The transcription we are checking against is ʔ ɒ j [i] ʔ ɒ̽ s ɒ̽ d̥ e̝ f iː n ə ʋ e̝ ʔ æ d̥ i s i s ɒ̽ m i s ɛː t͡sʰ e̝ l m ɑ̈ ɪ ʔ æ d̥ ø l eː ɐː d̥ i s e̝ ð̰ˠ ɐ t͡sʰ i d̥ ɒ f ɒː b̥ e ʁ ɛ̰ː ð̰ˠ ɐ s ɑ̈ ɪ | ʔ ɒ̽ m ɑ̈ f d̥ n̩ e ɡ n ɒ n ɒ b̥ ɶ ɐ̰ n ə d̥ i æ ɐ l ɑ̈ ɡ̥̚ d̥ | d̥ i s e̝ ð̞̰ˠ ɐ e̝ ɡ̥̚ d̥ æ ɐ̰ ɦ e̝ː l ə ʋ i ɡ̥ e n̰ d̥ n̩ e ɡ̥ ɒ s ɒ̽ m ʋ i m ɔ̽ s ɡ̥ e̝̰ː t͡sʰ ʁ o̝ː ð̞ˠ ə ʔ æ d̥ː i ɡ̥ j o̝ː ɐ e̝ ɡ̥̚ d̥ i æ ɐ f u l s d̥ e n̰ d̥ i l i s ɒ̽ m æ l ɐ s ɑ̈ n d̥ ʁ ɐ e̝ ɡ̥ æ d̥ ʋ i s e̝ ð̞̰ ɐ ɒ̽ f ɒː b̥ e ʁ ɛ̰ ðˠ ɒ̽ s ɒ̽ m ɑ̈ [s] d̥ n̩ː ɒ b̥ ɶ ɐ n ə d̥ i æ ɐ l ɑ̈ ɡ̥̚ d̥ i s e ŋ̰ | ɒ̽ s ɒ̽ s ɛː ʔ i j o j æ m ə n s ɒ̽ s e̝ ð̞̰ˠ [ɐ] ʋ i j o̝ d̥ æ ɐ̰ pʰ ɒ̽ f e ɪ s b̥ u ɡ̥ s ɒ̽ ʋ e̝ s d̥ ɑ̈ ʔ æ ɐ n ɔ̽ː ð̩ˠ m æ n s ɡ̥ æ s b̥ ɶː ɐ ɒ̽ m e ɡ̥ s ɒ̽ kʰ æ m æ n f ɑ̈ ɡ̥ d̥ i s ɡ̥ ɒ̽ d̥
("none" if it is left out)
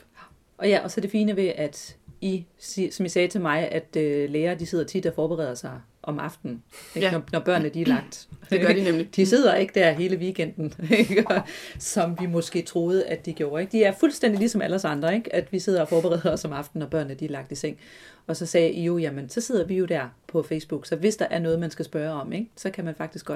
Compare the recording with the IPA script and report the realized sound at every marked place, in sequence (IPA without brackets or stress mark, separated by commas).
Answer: æ, f, ɐ